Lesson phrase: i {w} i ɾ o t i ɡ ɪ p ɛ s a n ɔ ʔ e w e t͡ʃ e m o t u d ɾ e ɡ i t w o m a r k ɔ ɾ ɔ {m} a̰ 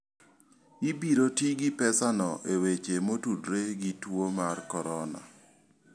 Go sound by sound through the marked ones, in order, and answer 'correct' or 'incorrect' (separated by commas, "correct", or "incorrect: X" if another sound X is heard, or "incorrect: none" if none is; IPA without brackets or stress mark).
incorrect: b, incorrect: n